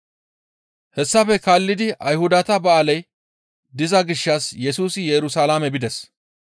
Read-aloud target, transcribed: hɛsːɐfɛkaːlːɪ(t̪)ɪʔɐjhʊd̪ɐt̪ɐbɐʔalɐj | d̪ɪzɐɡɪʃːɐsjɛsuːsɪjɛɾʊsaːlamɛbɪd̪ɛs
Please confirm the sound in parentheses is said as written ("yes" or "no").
no